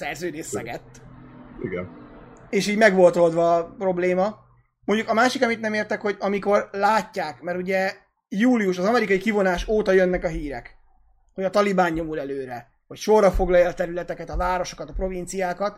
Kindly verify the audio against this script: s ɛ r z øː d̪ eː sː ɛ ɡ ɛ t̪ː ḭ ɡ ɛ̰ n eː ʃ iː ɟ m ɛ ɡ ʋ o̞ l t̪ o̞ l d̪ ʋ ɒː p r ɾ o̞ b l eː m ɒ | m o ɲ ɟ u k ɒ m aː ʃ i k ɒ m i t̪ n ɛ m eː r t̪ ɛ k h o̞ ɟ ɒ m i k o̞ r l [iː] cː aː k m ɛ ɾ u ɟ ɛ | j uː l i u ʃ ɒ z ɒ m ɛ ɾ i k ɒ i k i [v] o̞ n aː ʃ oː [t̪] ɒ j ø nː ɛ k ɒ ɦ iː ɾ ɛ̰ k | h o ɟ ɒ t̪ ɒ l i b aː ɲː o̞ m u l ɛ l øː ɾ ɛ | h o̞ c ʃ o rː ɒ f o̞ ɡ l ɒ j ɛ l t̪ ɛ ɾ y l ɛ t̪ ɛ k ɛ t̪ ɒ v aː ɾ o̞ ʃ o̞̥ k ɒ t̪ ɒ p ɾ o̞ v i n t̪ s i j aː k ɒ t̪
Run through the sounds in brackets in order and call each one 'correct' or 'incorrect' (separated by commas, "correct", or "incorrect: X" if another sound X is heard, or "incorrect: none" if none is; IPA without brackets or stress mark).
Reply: incorrect: aː, correct, correct